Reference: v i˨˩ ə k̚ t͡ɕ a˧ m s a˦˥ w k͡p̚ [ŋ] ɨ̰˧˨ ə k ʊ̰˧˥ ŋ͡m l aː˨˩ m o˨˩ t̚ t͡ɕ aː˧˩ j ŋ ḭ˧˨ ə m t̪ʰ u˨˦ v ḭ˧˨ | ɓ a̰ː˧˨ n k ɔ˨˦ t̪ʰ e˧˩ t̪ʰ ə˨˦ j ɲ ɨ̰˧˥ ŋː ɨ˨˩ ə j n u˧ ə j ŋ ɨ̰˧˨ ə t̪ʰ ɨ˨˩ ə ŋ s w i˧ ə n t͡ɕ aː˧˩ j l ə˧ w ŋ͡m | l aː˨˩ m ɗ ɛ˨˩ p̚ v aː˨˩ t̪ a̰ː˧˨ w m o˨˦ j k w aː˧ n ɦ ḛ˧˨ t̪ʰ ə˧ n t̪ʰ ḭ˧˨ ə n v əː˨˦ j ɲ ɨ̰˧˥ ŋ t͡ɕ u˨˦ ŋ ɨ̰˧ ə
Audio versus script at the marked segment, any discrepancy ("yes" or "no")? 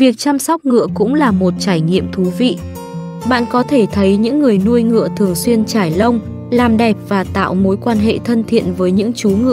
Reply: no